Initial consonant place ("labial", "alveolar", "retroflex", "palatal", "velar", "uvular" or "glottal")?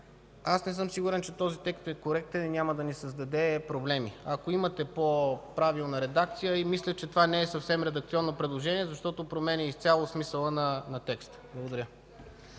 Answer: alveolar